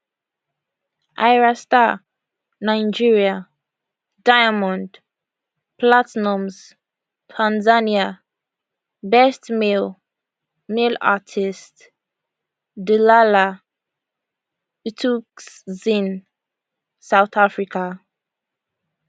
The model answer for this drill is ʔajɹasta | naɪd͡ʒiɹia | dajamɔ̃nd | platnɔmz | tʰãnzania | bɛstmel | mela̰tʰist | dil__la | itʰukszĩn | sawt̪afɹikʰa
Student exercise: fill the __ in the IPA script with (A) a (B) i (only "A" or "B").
A